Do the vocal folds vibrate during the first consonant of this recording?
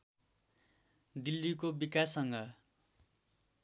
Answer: yes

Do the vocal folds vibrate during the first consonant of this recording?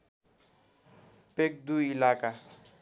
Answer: no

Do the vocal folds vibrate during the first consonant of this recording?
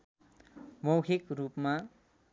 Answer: yes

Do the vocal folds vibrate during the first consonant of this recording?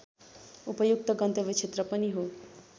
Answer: no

